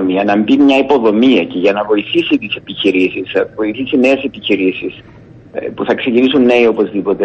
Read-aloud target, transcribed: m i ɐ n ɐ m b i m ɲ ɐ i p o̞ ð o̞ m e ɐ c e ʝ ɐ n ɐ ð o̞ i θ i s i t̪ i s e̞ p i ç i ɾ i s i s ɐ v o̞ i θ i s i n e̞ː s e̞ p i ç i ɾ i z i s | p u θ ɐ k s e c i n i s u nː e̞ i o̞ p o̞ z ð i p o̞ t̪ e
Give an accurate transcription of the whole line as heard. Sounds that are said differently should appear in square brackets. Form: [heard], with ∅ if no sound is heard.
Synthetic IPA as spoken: m i ɐ n ɐ m b i m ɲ ɐ i p o̞ ð o̞ m [i] ɐ c e ʝ ɐ n ɐ [v] o̞ i θ i s i t̪ i s e̞ p i ç i ɾ i s i s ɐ v o̞ i θ i s i n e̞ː s e̞ p i ç i ɾ i [s] i s | p u θ ɐ k s e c i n i s u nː e̞ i o̞ p o̞ z ð i p o̞ t̪ e